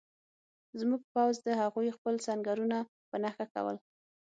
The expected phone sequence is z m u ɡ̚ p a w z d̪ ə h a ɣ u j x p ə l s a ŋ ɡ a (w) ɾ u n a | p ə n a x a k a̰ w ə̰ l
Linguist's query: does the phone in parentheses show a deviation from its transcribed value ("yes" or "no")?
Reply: yes